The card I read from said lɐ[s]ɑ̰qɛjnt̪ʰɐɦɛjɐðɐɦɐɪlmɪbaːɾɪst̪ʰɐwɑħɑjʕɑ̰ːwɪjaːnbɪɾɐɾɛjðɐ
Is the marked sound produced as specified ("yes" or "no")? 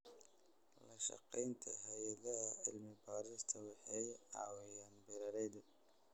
no